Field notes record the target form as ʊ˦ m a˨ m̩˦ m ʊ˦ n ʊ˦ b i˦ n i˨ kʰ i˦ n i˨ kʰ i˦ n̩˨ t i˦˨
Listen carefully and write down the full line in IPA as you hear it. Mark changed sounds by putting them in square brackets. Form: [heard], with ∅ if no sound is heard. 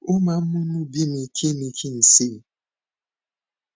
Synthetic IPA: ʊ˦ m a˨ m̩˦ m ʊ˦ n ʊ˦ b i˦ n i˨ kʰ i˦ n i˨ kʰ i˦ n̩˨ [s] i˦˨